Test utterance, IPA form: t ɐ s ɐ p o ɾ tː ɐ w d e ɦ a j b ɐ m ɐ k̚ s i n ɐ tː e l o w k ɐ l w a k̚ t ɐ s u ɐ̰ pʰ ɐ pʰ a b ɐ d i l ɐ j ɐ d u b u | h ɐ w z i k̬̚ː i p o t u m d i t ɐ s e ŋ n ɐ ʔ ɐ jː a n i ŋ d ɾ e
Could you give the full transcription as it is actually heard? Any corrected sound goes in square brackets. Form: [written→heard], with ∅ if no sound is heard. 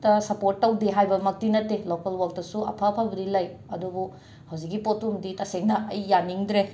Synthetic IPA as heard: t ɐ s ɐ p o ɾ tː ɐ w d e ɦ a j b ɐ m ɐ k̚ [s→t] i n ɐ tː e l o [w→∅] k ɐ l w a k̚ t ɐ s u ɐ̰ pʰ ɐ pʰ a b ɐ d i l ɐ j ɐ d u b u | h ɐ w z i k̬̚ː i p o t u m d i t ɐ s e ŋ n ɐ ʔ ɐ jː a n i ŋ d ɾ e

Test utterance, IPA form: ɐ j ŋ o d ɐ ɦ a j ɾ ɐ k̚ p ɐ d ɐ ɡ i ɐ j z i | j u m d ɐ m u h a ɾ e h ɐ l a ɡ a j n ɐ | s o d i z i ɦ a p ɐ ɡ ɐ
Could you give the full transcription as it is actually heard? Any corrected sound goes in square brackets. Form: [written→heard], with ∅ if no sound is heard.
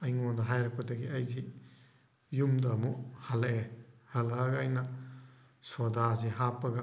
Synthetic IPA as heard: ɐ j ŋ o d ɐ ɦ a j ɾ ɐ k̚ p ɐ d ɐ ɡ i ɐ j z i | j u m d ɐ m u h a [ɾ→l] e h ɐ l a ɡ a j n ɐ | s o d [i→a] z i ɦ a p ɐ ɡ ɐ

